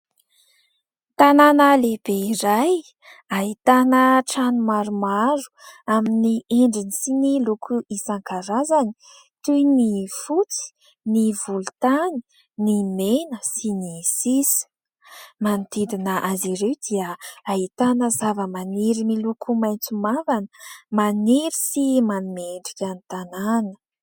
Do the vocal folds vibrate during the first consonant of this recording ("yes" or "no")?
no